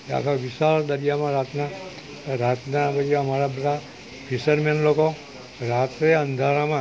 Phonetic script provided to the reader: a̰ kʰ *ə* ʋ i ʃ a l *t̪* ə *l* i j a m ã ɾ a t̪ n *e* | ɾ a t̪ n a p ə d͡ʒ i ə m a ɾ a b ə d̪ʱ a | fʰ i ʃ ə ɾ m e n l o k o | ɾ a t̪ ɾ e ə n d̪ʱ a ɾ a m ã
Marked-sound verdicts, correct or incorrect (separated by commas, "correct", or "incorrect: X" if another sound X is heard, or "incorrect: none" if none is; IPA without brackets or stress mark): incorrect: a, incorrect: d̪, incorrect: ɾ, incorrect: a